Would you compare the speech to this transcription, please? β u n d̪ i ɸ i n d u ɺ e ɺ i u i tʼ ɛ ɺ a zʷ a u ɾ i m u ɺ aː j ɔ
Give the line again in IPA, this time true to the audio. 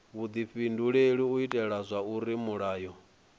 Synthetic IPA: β u d̪ i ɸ i n d u ɺ e ɺ i u i tʼ ɛ ɺ a zʷ a u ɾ i m u ɺ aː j ɔ